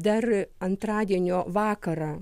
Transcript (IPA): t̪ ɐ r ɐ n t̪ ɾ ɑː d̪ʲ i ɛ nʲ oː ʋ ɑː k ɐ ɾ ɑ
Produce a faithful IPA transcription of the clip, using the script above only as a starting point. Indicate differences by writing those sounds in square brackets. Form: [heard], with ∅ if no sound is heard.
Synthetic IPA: [d̪] ɐ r ɐ n t̪ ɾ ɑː d̪ʲ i ɛ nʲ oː ʋ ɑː k ɐ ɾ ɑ